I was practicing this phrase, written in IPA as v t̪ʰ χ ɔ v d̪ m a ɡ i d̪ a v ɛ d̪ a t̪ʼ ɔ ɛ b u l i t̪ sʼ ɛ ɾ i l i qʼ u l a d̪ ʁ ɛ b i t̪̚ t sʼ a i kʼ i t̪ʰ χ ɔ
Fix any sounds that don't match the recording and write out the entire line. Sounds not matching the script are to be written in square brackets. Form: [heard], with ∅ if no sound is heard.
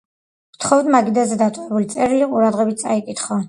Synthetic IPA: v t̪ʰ χ ɔ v d̪ m a ɡ i d̪ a [z] ɛ d̪ a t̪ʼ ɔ ɛ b u l i t̪ sʼ ɛ ɾ i l i qʼ u [ɾ] a d̪ ʁ ɛ b i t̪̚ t sʼ a i kʼ i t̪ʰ χ ɔ